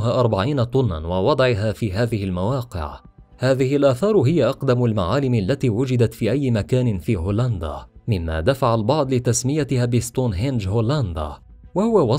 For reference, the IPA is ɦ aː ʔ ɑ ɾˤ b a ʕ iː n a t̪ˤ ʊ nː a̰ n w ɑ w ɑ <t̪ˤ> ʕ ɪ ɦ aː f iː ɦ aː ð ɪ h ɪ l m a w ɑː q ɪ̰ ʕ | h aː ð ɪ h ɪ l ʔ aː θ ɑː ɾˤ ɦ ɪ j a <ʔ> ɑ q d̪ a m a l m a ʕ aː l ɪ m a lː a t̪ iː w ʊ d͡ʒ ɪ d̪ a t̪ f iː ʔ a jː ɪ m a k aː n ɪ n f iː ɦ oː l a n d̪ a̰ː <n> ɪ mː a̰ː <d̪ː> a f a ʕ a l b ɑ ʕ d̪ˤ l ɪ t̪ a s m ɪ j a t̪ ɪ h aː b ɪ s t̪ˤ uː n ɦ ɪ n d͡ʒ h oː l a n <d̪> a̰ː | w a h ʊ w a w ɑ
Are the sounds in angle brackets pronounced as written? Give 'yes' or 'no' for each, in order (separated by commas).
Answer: no, yes, no, no, yes